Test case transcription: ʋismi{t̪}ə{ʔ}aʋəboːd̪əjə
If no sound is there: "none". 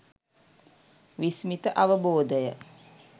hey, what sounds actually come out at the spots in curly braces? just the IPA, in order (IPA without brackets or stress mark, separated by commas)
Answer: t̪, ʔ